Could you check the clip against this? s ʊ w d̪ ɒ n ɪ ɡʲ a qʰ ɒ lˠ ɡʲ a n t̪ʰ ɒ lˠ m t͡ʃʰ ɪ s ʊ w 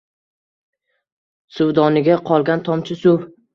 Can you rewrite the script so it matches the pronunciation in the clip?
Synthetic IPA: s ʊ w d̪ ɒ n ɪ ɡʲ a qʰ ɒ lˠ ɡʲ a n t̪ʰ ɒ m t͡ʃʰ ɪ s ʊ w

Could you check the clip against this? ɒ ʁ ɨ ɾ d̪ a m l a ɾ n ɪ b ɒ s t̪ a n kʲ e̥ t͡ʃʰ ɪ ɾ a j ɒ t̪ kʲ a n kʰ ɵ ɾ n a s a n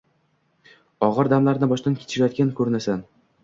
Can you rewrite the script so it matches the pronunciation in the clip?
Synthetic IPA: ɒ ʁ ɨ ɾ d̪ a m l a ɾ n ɪ b ɒ ʃ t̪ a n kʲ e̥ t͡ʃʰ ɪ ɾ a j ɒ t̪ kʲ a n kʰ ɵ ɾ n a s a n

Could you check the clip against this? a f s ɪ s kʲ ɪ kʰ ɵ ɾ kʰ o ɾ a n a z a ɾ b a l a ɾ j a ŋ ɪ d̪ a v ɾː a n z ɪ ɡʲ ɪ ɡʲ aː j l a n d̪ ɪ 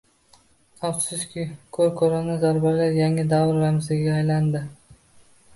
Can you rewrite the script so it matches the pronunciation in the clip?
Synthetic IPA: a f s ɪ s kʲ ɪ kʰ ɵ ɾ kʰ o ɾ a n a z a ɾ b a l a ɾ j a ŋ ɪ d̪ a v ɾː a m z ɪ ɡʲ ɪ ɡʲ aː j l a n d̪ ɪ

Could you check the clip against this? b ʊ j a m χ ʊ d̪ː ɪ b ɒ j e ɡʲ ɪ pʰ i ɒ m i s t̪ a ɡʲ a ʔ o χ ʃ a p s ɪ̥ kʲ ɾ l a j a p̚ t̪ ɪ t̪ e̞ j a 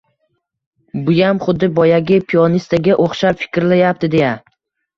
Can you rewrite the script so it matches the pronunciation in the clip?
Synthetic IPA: b ʊ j a m χ ʊ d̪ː ɪ b ɒ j a ɡʲ ɪ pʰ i ɒ n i s t̪ a ɡʲ a ʔ o χ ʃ a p f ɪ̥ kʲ ɾ l a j a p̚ t̪ ɪ d̪ e̞ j a

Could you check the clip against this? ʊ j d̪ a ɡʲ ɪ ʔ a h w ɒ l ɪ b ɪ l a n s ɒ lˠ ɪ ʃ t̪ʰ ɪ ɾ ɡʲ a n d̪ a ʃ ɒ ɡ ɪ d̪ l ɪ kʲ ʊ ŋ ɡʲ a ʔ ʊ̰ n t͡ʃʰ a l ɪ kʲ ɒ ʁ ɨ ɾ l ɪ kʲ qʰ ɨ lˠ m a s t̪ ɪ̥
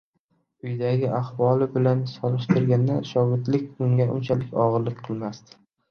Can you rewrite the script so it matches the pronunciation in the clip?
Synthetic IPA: ʊ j d̪ a ɡʲ ɪ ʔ a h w ɒ l ɪ b ɪ l a n s ɒ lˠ ɪ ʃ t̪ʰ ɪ ɾ ɡʲ a n d̪ a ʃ ɒ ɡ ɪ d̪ l ɪ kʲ ʊ ŋ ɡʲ a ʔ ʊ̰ n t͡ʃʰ a l ɪ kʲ ɒ ʁ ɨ ɾ l ɪ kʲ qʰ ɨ lˠ m a s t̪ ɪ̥

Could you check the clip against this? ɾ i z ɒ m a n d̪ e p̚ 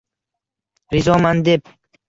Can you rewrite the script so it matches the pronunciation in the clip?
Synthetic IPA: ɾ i z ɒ m a n d̪ e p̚

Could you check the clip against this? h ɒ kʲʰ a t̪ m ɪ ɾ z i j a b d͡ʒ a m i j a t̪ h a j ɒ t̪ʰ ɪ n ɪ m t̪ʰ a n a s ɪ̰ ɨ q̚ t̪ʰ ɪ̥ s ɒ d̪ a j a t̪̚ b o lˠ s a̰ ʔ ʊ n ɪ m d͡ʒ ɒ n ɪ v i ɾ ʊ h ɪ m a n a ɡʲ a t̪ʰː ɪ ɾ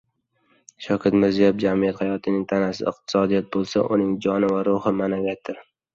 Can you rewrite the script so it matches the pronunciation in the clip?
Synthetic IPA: ʃ ɒ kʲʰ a t̪ m ɪ ɾ z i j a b d͡ʒ a m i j a t̪ h a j ɒ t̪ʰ ɪ n ɪ ŋ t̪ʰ a n a s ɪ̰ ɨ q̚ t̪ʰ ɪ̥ s ɒ d̪ i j a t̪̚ b o lˠ s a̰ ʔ ʊ n ɪ ŋ d͡ʒ ɒ n ɪ v a ɾ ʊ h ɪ m a n a ɡʲ a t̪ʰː ɪ ɾ

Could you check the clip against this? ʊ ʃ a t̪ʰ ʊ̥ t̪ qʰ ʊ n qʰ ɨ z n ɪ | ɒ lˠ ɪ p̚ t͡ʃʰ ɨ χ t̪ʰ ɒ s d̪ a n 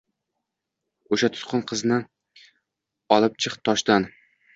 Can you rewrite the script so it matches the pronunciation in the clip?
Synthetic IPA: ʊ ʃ a t̪ʰ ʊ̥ t̪ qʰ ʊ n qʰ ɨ z n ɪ | ɒ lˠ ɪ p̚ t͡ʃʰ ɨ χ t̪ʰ ɒ ʃ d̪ a n

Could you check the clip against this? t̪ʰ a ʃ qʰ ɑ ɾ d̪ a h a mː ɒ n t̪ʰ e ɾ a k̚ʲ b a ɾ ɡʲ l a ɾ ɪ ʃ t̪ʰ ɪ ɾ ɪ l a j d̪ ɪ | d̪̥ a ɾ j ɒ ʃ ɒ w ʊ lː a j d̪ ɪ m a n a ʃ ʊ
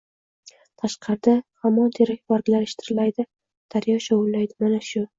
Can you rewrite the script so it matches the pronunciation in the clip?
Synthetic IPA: t̪ʰ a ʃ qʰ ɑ ɾ d̪ a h a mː ɒ n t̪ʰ e ɾ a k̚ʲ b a ɾ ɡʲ l a ɾ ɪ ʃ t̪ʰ ɪ ɾ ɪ l a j d̪ ɪ | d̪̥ a ɾ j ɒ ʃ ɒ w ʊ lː a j d̪ ɪ m a n a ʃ ʊ

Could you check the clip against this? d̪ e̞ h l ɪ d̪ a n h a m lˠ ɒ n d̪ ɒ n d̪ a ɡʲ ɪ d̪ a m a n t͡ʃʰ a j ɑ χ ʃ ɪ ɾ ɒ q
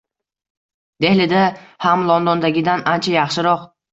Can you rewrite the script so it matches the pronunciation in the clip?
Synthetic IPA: d̪ e̞ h l ɪ d̪ a h a m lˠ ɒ n d̪ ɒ n d̪ a ɡʲ ɪ d̪ a n a n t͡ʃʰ a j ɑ χ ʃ ɪ ɾ ɒ q

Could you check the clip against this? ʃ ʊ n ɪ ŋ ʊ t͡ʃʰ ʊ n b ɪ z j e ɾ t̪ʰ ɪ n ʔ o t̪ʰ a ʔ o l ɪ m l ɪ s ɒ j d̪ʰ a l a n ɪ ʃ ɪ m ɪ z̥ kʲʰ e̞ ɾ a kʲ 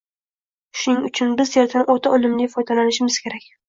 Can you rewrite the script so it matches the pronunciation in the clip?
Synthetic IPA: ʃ ʊ n ɪ ŋ ʊ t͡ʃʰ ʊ n b ɪ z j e ɾ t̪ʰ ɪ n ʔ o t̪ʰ a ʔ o l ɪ m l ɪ f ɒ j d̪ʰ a l a n ɪ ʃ ɪ m ɪ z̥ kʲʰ e̞ ɾ a kʲ

